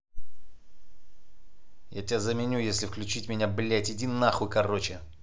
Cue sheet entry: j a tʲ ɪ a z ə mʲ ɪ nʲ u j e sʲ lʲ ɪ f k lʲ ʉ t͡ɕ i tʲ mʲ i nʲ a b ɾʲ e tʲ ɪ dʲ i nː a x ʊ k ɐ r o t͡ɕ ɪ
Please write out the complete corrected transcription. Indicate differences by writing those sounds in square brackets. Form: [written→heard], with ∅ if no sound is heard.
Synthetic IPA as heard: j a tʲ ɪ a z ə mʲ ɪ nʲ u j e sʲ lʲ ɪ f k lʲ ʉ t͡ɕ i tʲ mʲ [i→ɪ] nʲ a b [ɾʲ→lʲ] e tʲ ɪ dʲ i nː a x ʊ k ɐ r o t͡ɕ ɪ